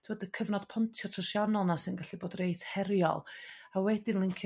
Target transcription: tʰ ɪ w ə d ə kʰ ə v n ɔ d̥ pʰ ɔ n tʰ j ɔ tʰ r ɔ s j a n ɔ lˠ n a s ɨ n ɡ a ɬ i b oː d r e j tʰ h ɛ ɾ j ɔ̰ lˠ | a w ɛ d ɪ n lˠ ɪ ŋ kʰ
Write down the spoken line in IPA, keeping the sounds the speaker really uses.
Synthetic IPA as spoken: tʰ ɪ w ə d ə kʰ ə v n ɔ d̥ pʰ ɔ n tʰ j ɔ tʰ r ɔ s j a n ɔ lˠ n a s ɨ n ɡ a ɬ i b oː d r e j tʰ h ɛ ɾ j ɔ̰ lˠ | a w ɛ d ɪ n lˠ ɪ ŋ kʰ